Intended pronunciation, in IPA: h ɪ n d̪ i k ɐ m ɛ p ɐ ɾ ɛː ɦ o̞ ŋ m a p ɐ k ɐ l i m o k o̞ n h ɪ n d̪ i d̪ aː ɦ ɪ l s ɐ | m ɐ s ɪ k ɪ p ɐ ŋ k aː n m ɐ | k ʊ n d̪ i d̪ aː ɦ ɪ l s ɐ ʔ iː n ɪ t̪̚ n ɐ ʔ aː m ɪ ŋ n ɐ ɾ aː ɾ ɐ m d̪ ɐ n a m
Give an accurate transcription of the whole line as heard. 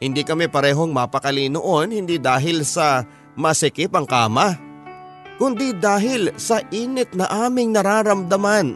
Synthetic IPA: h ɪ n d̪ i k ɐ m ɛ p ɐ ɾ ɛː ɦ o̞ ŋ m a p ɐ k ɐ l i n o ʔ o̞ n h ɪ n d̪ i d̪ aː ɦ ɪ l s ɐ | m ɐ s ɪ k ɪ p ɐ ŋ k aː m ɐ | k ʊ n d̪ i d̪ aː ɦ ɪ l s ɐ ʔ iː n ɪ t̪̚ n ɐ ʔ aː m ɪ ŋ n ɐ ɾ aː ɾ ɐ m d̪ ɐ m a n